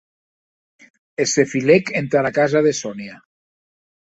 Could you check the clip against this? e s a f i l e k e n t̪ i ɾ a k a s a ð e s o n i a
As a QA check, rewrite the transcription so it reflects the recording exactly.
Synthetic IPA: e s e f i l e k e n t̪ a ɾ a k a z a ð e s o n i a